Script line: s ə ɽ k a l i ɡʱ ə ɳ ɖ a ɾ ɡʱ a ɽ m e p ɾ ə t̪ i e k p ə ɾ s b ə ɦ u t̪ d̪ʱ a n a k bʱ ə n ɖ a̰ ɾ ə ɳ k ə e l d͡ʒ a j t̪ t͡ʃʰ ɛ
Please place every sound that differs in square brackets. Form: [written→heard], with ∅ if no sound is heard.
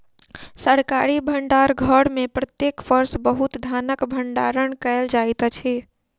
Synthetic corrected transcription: s ə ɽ k a [l→ɾ] i [ɡʱ→bʱ] ə ɳ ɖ a ɾ ɡʱ [a→ə] ɽ m e p ɾ ə t̪ [i→j] e k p ə ɾ s b ə ɦ u t̪ d̪ʱ a n [a→ə] k bʱ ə [n→ɳ] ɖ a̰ ɾ ə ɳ k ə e l d͡ʒ a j t̪ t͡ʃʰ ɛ